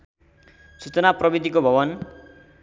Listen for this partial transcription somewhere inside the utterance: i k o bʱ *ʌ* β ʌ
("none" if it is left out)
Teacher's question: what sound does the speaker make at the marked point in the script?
ʌ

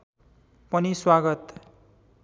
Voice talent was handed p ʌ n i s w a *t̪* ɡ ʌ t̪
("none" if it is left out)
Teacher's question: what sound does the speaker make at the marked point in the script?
none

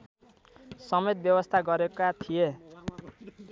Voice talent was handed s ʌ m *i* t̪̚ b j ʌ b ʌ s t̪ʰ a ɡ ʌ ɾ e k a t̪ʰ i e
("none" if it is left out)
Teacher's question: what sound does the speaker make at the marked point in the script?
e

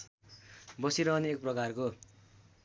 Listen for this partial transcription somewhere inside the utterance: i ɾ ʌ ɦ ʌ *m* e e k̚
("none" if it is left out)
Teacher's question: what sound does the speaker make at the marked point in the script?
n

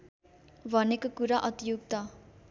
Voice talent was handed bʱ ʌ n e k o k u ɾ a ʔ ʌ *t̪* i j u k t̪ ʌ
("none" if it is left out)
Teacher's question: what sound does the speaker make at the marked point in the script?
t̪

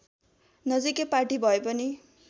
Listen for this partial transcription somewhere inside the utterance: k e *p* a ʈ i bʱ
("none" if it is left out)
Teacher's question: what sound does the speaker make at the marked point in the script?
p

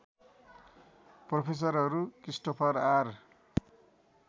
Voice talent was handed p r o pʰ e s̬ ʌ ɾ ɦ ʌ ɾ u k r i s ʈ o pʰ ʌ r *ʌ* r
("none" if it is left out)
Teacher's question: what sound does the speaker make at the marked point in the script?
a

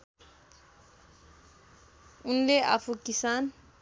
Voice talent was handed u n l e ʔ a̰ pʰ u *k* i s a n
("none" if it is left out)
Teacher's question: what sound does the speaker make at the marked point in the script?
k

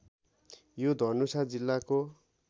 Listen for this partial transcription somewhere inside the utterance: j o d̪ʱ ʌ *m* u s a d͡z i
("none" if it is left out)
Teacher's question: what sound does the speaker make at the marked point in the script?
n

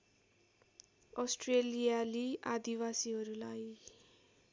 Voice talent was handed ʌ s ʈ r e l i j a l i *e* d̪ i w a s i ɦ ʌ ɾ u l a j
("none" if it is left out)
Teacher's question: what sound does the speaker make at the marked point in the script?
a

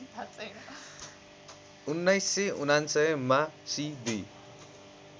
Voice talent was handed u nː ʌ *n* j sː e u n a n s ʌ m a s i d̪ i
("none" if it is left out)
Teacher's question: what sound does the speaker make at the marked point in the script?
none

